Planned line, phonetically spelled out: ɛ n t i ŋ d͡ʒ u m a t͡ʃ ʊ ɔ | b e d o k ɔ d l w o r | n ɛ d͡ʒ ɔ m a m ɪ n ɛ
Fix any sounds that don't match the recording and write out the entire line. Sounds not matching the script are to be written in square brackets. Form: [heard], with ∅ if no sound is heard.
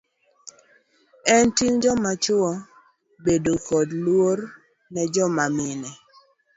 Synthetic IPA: ɛ n t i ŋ d͡ʒ [ɔ] m a t͡ʃ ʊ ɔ | b e d o k ɔ d l w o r | n ɛ d͡ʒ ɔ m a m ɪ n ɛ